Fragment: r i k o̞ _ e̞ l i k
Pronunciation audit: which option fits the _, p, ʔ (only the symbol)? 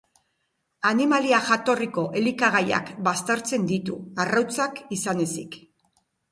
ʔ